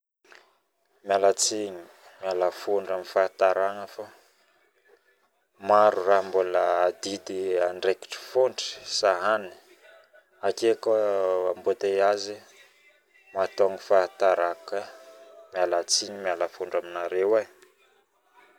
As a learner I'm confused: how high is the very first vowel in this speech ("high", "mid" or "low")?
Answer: low